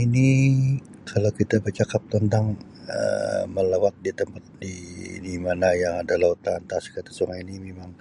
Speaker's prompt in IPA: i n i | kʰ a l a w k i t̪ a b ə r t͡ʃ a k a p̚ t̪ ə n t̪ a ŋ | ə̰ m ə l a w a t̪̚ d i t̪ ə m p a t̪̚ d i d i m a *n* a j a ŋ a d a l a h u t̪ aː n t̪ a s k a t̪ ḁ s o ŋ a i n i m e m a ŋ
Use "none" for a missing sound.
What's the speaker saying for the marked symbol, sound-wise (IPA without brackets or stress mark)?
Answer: n